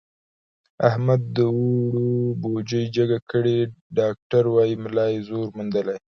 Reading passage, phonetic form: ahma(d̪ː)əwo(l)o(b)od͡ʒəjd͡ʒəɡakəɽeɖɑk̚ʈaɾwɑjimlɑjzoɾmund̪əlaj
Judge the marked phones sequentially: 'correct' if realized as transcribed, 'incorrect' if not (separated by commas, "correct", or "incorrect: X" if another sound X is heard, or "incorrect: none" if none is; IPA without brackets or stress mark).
correct, incorrect: ɽ, correct